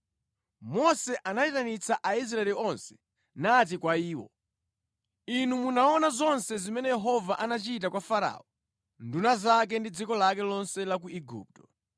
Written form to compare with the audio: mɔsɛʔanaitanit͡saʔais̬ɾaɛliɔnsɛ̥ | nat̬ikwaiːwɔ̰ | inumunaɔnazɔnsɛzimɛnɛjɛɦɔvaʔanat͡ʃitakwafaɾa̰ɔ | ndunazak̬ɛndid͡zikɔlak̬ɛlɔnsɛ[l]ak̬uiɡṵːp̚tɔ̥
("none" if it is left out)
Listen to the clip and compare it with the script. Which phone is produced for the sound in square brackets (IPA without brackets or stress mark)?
l